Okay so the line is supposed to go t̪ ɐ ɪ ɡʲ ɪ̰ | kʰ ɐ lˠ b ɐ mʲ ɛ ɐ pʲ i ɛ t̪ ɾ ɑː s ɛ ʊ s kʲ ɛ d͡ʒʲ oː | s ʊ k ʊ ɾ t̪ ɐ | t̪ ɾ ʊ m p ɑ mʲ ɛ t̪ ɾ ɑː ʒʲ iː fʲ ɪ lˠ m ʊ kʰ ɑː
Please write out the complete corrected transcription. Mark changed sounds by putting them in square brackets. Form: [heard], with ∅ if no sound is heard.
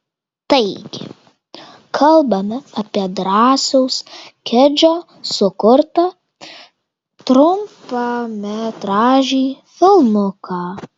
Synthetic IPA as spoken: t̪ ɐ ɪ ɡʲ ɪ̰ | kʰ ɐ lˠ b ɐ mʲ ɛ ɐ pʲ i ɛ [d̪] ɾ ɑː s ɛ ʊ s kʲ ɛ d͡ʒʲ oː | s ʊ k ʊ ɾ t̪ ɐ | t̪ ɾ ʊ m p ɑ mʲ ɛ t̪ ɾ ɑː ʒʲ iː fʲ ɪ lˠ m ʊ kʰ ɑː